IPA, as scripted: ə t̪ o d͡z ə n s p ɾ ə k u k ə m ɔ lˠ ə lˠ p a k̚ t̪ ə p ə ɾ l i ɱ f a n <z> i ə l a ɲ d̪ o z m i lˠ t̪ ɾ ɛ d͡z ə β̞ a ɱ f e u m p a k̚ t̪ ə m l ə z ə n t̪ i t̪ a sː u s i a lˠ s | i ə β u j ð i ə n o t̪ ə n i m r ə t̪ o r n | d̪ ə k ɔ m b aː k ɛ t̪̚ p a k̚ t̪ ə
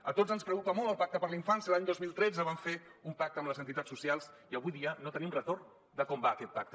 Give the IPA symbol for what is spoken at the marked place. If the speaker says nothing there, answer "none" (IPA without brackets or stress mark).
s